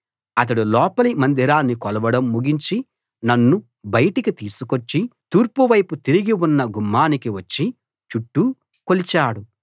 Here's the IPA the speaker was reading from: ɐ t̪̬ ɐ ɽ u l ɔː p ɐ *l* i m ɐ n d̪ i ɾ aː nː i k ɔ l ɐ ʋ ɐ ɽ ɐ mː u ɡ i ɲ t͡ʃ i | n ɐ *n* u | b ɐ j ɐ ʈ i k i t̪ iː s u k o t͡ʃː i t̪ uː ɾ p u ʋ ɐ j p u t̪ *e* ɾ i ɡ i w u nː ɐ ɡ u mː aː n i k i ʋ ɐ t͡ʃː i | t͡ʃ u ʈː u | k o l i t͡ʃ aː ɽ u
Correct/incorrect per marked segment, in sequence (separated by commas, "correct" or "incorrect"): correct, incorrect, incorrect